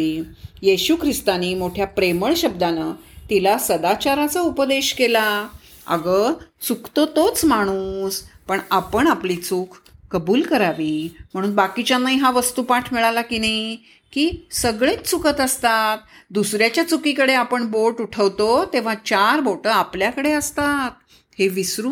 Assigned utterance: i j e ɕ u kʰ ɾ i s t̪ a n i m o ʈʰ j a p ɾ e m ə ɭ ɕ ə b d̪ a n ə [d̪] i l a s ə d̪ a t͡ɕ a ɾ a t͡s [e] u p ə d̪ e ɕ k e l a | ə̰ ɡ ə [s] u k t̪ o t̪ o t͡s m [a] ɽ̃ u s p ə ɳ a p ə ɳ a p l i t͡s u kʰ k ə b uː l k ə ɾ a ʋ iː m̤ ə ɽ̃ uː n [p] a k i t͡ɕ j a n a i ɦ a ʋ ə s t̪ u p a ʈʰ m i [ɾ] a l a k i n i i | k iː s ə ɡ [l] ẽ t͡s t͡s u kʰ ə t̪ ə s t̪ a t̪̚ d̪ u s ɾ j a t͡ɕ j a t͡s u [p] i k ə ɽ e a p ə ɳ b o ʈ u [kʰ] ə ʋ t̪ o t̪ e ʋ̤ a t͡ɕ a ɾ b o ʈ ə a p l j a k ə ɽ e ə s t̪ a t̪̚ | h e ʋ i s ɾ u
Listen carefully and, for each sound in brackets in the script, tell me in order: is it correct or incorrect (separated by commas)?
incorrect, incorrect, incorrect, correct, incorrect, incorrect, incorrect, incorrect, incorrect